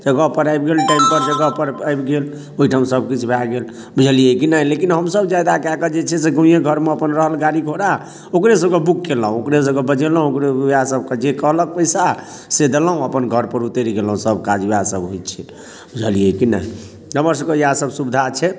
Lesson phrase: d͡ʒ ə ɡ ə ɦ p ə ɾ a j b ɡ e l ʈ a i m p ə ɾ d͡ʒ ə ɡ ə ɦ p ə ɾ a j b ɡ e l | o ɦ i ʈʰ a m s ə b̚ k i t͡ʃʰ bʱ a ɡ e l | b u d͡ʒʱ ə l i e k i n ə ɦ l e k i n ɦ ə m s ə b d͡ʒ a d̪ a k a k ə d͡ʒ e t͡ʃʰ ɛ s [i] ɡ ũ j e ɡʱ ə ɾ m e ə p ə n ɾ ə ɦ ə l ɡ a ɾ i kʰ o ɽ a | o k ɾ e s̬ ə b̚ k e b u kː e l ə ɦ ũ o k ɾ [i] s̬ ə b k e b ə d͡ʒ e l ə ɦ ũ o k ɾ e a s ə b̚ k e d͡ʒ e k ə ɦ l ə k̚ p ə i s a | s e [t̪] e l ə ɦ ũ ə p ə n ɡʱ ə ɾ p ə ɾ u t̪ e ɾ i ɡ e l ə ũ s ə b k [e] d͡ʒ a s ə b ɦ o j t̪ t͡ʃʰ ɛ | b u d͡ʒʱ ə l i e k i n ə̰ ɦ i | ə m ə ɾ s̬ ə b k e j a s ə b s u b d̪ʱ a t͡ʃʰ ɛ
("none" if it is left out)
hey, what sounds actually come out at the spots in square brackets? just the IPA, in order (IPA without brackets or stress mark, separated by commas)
e, e, d̪, a